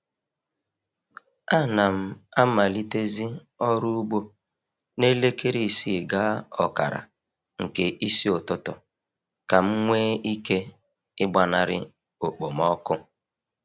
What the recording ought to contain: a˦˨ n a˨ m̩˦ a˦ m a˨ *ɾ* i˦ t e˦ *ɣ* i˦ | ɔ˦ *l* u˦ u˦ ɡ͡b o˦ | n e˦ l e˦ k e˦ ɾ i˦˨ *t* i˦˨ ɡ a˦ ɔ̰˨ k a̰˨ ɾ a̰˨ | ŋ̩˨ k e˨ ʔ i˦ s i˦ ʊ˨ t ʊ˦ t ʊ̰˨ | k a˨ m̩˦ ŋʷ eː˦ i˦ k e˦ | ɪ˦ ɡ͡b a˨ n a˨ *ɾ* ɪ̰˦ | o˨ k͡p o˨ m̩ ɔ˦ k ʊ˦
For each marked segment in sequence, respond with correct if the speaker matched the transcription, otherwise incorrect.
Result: incorrect, incorrect, incorrect, incorrect, correct

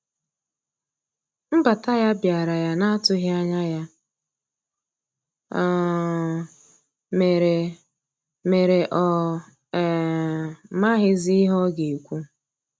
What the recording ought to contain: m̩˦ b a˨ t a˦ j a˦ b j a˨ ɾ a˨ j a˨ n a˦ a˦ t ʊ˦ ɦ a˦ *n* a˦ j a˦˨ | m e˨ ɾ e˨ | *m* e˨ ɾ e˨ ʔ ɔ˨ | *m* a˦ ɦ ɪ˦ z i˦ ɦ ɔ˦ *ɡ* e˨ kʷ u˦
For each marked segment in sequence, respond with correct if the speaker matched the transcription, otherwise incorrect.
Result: incorrect, correct, correct, correct

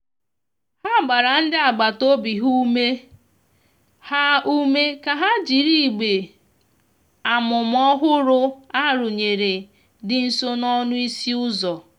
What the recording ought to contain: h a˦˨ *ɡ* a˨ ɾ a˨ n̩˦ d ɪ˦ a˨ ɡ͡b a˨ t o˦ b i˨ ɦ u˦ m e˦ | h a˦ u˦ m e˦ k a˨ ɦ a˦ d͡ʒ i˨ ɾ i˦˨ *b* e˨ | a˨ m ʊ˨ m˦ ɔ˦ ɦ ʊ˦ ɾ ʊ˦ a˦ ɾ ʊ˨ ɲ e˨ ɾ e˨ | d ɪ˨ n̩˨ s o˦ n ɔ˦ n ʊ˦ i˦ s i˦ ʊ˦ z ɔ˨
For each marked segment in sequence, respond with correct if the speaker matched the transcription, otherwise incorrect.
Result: incorrect, incorrect

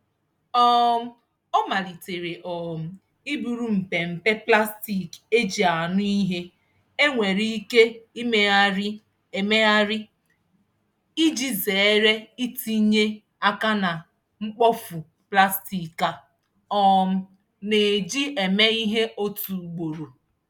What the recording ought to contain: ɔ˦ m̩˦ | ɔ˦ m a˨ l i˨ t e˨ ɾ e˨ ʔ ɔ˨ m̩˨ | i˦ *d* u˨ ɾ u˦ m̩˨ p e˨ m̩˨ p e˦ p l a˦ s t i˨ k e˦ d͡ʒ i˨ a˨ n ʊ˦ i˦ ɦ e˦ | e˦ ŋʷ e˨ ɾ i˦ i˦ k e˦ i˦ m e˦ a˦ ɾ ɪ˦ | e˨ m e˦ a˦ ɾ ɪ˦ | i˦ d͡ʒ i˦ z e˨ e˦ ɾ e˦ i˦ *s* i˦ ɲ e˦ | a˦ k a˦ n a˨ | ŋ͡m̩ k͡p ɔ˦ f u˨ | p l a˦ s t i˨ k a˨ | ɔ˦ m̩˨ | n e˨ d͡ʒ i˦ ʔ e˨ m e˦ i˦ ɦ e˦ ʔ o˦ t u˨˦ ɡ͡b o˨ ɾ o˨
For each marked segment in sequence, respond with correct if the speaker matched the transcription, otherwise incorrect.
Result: incorrect, incorrect

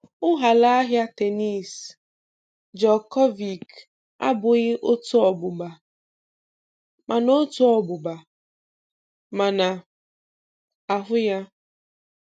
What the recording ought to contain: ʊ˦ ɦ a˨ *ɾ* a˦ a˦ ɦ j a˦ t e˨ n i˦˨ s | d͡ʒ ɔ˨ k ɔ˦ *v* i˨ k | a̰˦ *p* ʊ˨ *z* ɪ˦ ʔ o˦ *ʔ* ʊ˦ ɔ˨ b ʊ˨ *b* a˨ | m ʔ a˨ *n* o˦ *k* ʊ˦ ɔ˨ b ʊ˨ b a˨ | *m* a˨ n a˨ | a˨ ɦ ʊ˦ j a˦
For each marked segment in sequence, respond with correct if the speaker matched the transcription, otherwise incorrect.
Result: incorrect, correct, incorrect, incorrect, incorrect, correct, correct, incorrect, correct

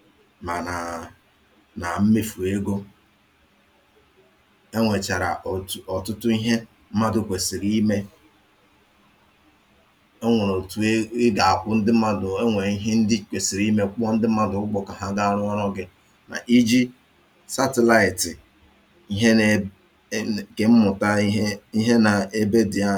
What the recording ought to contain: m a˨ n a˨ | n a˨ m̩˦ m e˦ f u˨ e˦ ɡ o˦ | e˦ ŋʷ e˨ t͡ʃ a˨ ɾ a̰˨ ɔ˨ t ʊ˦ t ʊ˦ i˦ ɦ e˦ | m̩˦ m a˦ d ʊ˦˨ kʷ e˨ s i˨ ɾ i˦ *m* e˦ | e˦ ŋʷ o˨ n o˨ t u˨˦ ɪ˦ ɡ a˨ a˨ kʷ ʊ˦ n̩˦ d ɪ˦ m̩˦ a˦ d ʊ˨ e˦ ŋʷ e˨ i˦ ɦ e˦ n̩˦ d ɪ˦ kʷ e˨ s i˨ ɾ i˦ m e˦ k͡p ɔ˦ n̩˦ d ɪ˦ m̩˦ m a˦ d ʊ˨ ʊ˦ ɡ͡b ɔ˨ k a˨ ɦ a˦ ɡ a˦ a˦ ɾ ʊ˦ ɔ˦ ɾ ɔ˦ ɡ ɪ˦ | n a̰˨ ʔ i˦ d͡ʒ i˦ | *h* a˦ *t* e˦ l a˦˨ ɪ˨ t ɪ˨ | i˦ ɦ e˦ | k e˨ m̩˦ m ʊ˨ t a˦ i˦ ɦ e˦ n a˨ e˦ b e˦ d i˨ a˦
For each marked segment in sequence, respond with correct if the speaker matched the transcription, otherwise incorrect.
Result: correct, incorrect, correct

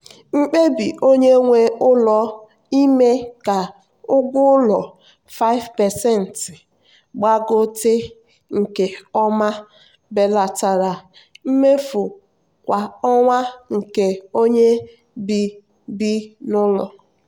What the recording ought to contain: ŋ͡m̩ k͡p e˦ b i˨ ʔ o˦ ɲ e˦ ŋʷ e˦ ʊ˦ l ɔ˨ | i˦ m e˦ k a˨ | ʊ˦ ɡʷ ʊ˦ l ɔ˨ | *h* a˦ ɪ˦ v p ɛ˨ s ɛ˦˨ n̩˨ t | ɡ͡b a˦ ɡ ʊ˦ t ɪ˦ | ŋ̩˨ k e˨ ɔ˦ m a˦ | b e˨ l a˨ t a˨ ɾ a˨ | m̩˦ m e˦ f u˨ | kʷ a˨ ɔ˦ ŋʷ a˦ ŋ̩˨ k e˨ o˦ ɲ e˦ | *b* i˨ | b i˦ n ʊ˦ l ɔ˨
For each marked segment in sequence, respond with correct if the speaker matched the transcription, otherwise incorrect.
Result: incorrect, correct

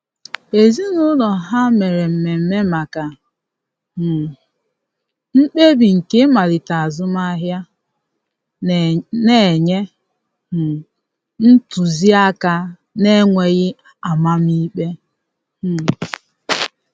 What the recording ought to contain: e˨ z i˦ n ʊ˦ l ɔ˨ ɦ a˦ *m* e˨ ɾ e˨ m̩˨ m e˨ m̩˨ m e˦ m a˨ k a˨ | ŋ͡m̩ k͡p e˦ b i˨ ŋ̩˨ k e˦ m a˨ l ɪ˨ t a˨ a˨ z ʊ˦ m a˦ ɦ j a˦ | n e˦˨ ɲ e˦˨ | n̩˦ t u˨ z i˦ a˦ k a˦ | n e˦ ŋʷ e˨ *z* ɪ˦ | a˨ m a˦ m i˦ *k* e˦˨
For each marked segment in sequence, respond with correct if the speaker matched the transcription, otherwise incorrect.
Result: correct, incorrect, incorrect

